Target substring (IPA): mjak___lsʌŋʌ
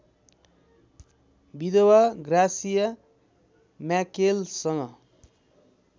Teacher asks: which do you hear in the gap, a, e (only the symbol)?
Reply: e